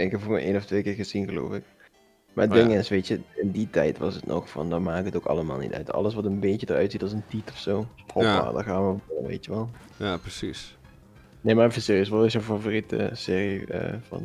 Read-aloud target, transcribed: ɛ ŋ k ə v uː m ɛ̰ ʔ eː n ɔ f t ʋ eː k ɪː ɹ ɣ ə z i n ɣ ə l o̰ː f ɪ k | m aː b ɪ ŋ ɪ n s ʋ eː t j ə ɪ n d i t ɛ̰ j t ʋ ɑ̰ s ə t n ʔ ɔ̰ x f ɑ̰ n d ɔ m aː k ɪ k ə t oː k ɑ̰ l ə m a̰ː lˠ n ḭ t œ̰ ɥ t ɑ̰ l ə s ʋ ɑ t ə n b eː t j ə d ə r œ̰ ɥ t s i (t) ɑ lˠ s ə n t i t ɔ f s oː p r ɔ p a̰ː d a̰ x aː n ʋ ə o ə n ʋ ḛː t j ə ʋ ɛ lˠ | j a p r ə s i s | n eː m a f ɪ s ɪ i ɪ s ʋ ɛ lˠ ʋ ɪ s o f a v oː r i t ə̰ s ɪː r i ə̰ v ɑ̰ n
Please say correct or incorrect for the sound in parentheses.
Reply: correct